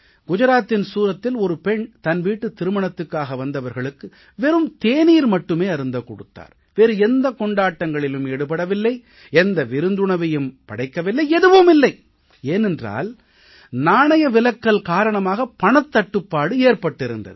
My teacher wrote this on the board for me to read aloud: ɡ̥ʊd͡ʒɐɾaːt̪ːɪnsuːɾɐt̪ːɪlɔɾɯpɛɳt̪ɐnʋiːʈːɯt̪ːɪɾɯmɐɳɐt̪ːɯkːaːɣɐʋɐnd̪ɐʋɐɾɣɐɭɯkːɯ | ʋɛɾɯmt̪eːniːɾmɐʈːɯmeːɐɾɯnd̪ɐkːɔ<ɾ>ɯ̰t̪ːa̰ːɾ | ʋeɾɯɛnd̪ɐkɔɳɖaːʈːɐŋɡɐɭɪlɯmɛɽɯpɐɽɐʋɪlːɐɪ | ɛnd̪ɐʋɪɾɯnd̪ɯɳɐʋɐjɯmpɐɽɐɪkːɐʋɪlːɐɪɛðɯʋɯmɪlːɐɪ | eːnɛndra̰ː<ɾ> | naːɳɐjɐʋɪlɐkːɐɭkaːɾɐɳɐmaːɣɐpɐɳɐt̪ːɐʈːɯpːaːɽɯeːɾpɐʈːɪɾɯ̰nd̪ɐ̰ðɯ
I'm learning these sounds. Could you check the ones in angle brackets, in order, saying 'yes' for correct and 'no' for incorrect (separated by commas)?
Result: no, no